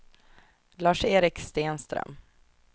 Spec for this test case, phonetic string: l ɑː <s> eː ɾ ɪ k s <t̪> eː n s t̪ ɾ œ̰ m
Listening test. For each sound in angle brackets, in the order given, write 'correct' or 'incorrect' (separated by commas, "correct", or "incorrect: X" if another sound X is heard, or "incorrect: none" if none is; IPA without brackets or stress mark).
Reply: incorrect: ʂ, correct